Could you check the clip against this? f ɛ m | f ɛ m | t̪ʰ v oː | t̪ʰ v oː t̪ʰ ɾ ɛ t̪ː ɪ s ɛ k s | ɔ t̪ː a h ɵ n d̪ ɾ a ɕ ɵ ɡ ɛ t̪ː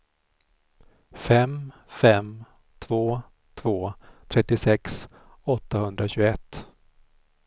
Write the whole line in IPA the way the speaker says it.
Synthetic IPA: f ɛ m | f ɛ m | t̪ʰ v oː | t̪ʰ v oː t̪ʰ ɾ ɛ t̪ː ɪ s ɛ k s | ɔ t̪ː a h ɵ n d̪ ɾ a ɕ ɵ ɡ ɛ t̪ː